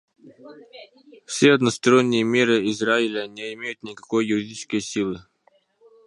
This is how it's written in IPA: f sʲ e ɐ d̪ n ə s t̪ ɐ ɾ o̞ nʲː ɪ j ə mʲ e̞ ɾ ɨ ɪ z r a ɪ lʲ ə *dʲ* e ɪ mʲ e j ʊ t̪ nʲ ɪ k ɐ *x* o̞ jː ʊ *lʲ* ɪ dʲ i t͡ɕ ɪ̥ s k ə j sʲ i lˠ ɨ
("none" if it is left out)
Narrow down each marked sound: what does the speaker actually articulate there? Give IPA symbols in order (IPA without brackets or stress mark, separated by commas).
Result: nʲ, k, ɾʲ